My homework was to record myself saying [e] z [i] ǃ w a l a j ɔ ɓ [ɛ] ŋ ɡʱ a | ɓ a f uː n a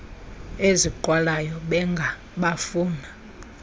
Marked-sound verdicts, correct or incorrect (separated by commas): correct, correct, correct